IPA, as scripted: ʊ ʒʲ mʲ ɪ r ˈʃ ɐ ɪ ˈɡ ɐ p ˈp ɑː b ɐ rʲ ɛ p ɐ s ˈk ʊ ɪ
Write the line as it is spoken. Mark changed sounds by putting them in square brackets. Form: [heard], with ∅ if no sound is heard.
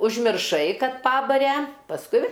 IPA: ʊ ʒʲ mʲ ɪ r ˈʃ ɐ ɪ [ˈk] ɐ [t] ˈp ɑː b ɐ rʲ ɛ p ɐ s ˈk ʊ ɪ

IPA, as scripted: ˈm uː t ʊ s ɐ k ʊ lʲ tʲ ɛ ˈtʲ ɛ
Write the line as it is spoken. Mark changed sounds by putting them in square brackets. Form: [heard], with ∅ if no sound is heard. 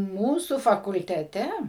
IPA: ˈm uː [s] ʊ [f] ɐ k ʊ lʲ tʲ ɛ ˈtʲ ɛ

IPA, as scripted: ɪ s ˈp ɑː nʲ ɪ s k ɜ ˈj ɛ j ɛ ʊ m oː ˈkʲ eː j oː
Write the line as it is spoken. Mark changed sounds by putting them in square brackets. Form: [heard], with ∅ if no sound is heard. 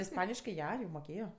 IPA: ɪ s ˈp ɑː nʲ ɪ [ʃ] k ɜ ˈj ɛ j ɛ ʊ m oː ˈkʲ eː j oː

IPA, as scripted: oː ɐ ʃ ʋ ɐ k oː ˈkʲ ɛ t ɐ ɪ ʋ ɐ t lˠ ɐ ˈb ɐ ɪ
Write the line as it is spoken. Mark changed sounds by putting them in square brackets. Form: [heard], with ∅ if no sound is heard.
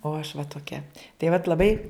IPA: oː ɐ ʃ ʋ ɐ [t] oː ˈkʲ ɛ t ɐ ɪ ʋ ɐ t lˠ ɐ ˈb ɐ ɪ

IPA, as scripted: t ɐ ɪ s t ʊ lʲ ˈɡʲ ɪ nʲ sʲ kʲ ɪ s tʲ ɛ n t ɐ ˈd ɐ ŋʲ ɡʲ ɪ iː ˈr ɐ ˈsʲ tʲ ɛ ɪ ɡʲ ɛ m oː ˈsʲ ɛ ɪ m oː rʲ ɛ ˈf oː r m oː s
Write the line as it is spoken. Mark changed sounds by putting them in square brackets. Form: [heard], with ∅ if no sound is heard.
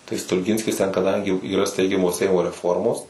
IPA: t ɐ ɪ s t ʊ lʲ ˈɡʲ ɪ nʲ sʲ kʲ ɪ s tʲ ɛ n [k] ɐ ˈd ɐ ŋʲ ɡʲ ɪ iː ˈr ɐ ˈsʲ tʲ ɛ ɪ ɡʲ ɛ m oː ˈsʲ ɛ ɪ m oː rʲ ɛ ˈf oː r m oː s

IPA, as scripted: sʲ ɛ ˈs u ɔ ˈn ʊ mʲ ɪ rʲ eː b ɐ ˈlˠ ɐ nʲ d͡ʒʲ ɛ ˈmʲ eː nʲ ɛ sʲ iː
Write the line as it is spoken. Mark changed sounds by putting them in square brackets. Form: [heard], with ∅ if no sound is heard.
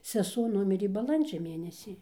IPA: sʲ ɛ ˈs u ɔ ˈn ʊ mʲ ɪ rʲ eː b ɐ ˈlˠ ɐ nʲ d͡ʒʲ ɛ ˈmʲ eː nʲ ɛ sʲ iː

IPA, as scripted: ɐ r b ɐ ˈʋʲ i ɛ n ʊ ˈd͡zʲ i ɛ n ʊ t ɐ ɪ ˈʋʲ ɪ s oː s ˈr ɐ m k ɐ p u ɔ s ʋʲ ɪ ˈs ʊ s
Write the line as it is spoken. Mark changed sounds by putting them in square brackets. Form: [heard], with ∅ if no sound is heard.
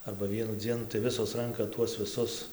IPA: ɐ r b ɐ ˈʋʲ i ɛ n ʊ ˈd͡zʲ i ɛ n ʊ t ɐ ɪ ˈʋʲ ɪ s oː s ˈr ɐ [ŋ] k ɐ [t] u ɔ s ʋʲ ɪ ˈs ʊ s

